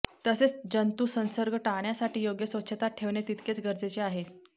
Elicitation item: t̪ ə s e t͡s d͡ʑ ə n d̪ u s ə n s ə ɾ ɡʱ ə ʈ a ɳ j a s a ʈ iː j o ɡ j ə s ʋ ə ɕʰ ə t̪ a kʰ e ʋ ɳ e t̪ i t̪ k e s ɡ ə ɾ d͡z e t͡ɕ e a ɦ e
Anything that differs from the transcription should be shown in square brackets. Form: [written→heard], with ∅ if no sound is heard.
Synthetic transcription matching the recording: t̪ ə s e t͡s d͡ʑ ə n [d̪→t̪] u s ə n s ə ɾ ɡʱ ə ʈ a ɳ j a s a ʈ iː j o ɡ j ə s ʋ ə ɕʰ ə t̪ a [kʰ→ʈʰ] e ʋ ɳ e t̪ i t̪ k e [s→t͡s] ɡ ə ɾ d͡z e t͡ɕ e a ɦ e